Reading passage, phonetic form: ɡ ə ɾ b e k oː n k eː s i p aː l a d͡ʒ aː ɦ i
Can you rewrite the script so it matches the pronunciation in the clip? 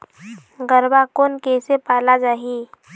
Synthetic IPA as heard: ɡ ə ɾ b a k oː n k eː s e p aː l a d͡ʒ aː ɦ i